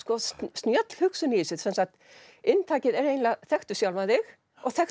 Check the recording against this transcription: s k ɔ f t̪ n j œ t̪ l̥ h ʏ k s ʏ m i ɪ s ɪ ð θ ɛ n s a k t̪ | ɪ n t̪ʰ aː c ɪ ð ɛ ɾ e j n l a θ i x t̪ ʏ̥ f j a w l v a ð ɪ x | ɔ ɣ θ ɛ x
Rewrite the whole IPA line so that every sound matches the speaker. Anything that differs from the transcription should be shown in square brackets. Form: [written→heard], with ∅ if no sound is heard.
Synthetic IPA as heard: s k ɔ [f→s] t̪ n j œ t̪ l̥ h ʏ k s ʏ [m→n] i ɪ s ɪ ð [θ→s] ɛ n s a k t̪ | ɪ n t̪ʰ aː c ɪ ð ɛ ɾ e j n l a θ [i→ɛ] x t̪ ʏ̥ [f→s] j a w l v a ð ɪ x | ɔ ɣ θ ɛ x